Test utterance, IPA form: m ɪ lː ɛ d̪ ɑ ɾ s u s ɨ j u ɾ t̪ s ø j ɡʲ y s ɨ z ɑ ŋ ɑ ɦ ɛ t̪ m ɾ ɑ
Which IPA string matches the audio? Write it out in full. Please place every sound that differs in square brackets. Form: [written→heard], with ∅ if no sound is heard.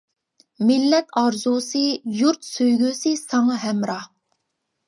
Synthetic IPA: m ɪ lː ɛ [d̪→t̪] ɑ ɾ [s→z] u s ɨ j u ɾ t̪ s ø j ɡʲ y s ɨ [z→s] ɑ ŋ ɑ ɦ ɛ [t̪→∅] m ɾ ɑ